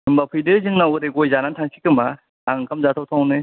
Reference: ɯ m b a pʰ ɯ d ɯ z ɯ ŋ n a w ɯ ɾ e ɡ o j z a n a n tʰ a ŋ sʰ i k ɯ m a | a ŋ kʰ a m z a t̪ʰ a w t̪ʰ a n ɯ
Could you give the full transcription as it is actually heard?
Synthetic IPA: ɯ m b a pʰ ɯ d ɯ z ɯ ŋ n a w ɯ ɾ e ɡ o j z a n a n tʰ a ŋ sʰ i k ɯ m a | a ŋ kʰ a m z a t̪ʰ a w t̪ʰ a n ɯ